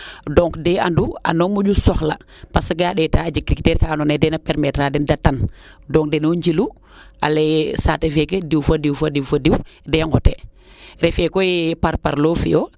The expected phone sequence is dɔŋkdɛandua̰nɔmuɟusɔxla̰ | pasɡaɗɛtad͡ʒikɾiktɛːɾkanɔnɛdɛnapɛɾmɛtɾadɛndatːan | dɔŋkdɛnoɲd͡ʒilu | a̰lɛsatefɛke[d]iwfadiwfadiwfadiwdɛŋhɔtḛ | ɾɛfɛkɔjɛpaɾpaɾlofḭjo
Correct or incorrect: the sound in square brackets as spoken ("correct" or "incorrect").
correct